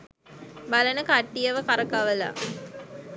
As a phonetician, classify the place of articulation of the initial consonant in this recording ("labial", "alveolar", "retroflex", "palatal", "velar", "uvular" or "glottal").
labial